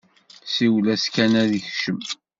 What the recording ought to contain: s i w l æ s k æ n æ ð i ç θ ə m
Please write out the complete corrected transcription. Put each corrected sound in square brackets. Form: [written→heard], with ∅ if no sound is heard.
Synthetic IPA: s i w l æ s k æ n æ ð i ç [θ→ʃ] ə m